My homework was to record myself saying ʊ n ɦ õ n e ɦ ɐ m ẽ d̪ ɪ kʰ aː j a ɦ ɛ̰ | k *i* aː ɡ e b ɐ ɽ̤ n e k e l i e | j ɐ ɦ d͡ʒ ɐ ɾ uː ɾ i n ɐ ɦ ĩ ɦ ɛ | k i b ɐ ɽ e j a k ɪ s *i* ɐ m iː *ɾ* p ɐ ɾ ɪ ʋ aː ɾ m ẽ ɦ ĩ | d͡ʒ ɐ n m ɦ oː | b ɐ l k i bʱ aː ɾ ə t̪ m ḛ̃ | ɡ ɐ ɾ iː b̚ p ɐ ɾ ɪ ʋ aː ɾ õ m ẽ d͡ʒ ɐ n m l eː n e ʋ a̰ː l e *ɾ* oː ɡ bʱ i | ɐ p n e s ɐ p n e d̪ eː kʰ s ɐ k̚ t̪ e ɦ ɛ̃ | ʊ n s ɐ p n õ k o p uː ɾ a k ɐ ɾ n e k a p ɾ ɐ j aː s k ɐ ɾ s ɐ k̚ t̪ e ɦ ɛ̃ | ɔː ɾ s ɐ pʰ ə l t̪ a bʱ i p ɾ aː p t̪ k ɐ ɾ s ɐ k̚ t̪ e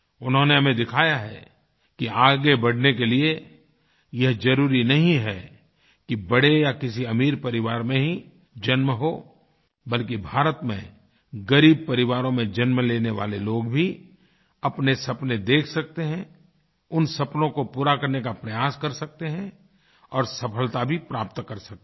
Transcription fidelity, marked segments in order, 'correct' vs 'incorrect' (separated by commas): correct, correct, correct, incorrect